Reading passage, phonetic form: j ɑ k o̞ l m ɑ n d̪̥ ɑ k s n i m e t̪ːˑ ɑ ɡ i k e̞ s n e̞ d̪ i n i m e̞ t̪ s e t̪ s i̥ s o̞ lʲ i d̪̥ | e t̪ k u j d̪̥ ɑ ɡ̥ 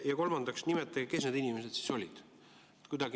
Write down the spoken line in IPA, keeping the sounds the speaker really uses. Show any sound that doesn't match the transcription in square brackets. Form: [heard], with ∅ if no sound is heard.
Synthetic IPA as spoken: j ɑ k o̞ l m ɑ n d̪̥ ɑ k s n i m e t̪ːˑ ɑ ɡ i k e̞ s n e̞ d̪ i n i m e̞ [∅] s e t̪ s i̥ s o̞ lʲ i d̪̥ | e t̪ k u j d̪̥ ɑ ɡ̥